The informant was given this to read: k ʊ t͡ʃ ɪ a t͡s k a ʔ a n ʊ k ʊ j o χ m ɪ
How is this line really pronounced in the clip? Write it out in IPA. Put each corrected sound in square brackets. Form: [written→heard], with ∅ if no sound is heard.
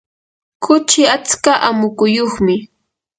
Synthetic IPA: k ʊ t͡ʃ ɪ a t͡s k a ʔ a [n→m] ʊ k ʊ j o χ m ɪ